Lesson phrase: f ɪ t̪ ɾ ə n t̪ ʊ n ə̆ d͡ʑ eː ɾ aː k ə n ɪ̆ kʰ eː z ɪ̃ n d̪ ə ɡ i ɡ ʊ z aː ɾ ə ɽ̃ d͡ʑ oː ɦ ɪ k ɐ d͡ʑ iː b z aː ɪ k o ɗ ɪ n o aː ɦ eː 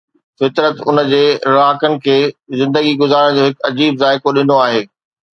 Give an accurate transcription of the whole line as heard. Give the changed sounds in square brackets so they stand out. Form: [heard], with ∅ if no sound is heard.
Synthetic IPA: f ɪ t̪ ɾ ə [∅] t̪ ʊ n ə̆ d͡ʑ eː ɾ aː k ə n ɪ̆ kʰ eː z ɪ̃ n d̪ ə ɡ i ɡ ʊ z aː ɾ ə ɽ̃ d͡ʑ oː ɦ ɪ k ɐ d͡ʑ iː b z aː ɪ k o ɗ ɪ n o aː ɦ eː